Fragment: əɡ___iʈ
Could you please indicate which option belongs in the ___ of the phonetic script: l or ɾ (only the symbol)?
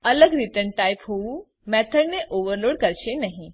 ɾ